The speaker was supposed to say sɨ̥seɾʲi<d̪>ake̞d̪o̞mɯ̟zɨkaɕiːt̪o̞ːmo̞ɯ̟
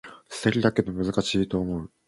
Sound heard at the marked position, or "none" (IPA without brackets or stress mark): d̪